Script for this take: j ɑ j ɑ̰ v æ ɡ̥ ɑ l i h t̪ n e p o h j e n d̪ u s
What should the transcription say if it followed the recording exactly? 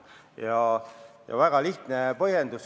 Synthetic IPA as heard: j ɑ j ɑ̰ v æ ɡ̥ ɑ l i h t̪ n e p ɤ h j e n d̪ u s